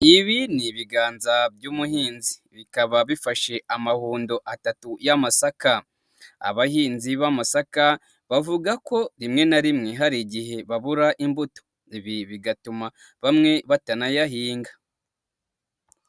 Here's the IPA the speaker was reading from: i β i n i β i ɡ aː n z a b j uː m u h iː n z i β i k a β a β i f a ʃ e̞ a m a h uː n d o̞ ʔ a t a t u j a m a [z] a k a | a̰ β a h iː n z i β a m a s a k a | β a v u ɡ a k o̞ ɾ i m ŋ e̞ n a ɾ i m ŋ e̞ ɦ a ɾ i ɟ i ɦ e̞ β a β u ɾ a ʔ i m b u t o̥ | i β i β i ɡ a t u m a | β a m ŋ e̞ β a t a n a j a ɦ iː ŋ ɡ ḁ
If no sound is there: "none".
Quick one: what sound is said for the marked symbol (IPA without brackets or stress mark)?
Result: s